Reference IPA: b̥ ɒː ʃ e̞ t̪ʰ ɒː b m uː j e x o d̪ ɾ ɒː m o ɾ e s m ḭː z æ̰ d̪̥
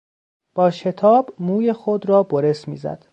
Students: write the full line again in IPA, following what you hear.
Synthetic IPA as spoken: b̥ ɒː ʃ e̞ t̪ʰ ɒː b m uː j e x o d̪ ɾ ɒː b o ɾ e s m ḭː z æ̰ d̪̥